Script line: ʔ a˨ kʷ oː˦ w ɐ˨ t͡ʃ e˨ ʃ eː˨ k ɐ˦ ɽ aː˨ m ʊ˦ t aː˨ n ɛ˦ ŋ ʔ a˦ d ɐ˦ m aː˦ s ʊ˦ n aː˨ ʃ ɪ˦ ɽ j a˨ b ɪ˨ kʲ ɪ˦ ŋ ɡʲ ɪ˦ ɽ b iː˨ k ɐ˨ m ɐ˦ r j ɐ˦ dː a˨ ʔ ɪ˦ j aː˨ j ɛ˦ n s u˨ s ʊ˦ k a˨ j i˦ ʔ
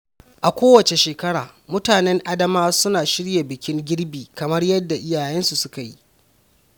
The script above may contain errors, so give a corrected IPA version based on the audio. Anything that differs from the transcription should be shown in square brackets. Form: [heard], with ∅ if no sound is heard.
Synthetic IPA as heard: ʔ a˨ kʷ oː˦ w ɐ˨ t͡ʃ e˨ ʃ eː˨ k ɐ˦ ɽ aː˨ m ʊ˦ t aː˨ n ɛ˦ ŋ ʔ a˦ d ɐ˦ m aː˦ s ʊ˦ n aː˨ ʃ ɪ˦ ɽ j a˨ b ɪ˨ kʲ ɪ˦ ŋ ɡʲ ɪ˦ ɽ b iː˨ k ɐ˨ m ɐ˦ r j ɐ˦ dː a˨ ʔ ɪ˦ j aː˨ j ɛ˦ n s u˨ s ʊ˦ k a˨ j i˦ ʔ

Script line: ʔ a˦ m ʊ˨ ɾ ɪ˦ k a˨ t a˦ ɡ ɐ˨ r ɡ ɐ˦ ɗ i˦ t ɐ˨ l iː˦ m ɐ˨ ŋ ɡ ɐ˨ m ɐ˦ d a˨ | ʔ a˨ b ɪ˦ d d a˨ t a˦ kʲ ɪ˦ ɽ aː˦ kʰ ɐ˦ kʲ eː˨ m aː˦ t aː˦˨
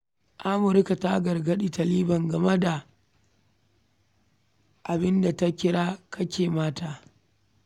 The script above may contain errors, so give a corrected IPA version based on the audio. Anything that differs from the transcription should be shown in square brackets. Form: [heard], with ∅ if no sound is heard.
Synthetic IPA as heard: ʔ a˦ m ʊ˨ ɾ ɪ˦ k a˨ t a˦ ɡ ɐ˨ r ɡ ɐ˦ ɗ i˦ t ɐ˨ l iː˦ [b] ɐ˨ ŋ ɡ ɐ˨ m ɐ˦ d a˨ | ʔ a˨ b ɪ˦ [n] d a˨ t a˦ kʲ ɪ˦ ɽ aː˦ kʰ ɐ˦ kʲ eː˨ m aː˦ t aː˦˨

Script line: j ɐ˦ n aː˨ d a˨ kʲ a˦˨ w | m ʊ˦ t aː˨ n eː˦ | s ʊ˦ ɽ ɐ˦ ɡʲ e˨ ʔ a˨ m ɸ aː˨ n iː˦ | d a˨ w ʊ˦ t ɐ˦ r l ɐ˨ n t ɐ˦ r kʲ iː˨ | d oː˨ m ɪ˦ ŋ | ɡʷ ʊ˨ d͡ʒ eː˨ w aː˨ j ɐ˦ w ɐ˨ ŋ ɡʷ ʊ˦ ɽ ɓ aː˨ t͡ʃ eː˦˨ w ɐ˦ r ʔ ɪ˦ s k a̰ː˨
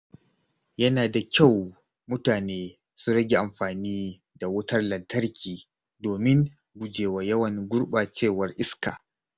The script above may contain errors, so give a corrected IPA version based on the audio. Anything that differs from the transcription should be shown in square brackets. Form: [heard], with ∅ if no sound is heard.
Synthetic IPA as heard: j ɐ˦ n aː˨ d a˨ kʲ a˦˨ w | m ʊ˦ t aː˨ n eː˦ | s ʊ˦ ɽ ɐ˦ ɡʲ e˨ ʔ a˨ m ɸ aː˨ n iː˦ | d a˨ w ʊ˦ t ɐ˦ r l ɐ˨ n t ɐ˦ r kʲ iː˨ | d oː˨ m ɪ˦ ŋ | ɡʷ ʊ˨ d͡ʒ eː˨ w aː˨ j ɐ˦ w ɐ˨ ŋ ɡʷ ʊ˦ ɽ ɓ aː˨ t͡ʃ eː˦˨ w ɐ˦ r ʔ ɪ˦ s k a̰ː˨

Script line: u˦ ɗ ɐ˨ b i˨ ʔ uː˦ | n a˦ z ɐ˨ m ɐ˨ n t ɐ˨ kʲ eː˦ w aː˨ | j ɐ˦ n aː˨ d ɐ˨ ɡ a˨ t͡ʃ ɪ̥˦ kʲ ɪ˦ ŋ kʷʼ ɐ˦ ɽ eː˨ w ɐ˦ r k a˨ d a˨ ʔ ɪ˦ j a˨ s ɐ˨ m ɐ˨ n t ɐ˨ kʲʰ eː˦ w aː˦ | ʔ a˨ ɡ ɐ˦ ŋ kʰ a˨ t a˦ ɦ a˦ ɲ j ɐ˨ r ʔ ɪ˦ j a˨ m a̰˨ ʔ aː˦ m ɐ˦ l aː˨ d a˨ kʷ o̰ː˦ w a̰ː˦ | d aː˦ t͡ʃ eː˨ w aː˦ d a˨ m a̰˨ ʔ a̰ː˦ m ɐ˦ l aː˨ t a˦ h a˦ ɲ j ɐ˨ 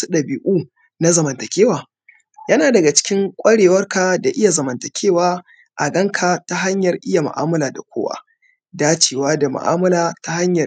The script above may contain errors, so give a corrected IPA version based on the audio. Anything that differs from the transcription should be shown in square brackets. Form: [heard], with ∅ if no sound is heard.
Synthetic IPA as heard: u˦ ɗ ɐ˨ b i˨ ʔ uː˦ | n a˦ z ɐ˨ m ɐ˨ n t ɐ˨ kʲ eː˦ w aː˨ | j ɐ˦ n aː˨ d ɐ˨ ɡ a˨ t͡ʃ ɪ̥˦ kʲ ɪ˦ ŋ kʷʼ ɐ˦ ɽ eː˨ w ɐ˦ r k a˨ d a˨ ʔ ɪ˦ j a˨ [z] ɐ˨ m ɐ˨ n t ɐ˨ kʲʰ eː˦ w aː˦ | ʔ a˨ ɡ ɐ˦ ŋ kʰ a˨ t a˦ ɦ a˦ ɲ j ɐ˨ r ʔ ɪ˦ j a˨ m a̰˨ ʔ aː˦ m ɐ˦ l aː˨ d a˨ kʷ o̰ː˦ w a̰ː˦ | d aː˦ t͡ʃ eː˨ w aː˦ d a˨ m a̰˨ ʔ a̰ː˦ m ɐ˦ l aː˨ t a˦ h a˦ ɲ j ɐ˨

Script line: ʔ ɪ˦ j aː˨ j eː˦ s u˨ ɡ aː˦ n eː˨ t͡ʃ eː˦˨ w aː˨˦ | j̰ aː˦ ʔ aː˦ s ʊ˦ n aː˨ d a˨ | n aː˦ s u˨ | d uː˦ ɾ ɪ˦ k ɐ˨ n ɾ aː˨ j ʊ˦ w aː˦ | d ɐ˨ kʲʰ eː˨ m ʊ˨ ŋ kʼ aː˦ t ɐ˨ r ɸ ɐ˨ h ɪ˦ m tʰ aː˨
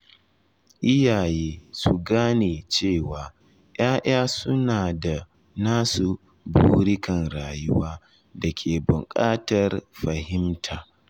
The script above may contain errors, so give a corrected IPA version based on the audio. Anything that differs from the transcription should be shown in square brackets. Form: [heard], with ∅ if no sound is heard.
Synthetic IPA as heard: ʔ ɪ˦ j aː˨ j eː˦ s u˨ ɡ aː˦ n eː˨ t͡ʃ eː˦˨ w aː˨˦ | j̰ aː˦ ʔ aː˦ s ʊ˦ n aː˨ d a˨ | n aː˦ s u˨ | [b] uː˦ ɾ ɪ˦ k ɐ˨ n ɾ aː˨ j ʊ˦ w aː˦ | d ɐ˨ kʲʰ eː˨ [b] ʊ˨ ŋ kʼ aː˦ t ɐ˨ r ɸ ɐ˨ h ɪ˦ m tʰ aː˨

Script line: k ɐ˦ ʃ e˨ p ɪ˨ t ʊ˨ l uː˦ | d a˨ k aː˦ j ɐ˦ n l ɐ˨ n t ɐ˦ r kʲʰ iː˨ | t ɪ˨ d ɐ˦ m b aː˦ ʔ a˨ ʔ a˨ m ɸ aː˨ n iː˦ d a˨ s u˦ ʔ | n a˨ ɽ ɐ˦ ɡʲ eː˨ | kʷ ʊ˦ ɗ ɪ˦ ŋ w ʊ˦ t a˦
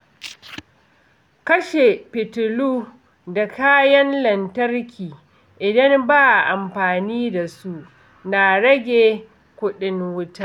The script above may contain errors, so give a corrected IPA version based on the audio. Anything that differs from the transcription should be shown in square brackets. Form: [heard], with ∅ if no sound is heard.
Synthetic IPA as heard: k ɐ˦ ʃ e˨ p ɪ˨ t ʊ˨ l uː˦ | d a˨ k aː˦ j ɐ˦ n l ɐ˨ n t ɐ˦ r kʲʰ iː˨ | [ʔ] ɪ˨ d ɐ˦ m b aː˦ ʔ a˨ ʔ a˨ m ɸ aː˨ n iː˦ d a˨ s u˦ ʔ | n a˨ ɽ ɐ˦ ɡʲ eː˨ | kʷ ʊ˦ ɗ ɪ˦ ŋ w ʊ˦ t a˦

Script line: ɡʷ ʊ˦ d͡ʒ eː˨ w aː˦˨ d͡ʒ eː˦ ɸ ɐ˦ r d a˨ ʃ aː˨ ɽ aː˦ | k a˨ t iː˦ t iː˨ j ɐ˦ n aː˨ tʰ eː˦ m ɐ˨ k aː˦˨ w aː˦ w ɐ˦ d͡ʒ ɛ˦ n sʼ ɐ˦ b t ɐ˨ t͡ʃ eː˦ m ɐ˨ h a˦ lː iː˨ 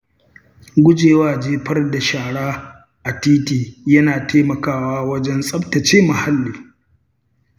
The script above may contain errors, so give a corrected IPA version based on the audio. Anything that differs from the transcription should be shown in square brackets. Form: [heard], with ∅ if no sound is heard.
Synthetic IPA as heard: ɡʷ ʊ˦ d͡ʒ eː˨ w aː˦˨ d͡ʒ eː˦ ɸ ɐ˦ r d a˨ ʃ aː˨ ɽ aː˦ | [ʔ] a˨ t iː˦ t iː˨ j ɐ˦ n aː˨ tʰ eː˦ m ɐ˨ k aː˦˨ w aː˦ w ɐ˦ d͡ʒ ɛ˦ n sʼ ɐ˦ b t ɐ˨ t͡ʃ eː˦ m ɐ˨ h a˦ lː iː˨

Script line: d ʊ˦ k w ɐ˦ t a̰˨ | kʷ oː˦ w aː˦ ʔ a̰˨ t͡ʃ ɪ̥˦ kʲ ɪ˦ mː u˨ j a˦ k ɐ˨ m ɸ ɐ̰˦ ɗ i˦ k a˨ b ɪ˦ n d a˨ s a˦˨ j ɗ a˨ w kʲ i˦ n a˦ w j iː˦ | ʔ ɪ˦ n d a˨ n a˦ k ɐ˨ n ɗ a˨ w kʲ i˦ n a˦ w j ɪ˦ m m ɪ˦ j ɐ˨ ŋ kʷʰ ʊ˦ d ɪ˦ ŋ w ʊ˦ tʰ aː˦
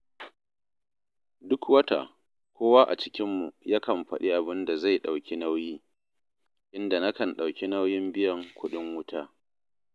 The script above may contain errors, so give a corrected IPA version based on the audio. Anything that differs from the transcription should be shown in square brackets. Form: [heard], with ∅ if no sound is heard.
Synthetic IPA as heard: d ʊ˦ k w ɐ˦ t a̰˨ | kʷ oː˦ w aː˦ ʔ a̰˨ t͡ʃ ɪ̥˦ kʲ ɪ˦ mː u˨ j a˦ k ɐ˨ m ɸ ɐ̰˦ ɗ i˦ [ʔ] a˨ b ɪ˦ n d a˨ [z] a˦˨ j ɗ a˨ w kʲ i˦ n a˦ w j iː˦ | ʔ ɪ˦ n d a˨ n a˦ k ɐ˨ n ɗ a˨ w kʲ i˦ n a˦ w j ɪ˦ m [b] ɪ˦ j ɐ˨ ŋ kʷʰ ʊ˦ [ɗ] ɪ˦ ŋ w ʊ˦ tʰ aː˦

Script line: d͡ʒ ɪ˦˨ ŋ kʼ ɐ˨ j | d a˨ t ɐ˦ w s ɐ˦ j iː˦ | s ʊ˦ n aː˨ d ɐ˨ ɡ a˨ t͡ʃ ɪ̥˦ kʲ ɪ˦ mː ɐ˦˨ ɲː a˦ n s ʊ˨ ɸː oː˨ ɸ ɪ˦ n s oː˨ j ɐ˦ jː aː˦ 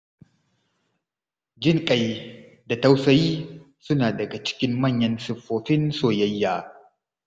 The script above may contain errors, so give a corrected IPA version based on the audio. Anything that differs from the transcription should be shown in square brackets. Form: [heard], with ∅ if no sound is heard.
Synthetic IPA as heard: d͡ʒ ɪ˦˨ ŋ kʼ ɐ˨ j | d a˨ t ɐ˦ w s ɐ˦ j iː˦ | s ʊ˦ n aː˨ d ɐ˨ ɡ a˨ t͡ʃ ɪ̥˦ kʲ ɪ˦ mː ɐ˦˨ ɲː [ɐ˦] n s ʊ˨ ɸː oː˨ ɸ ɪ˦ n s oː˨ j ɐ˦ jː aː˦

